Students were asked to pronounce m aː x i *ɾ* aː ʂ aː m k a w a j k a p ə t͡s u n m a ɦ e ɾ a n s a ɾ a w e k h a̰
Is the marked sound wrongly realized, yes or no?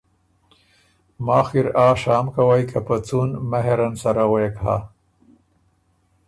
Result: no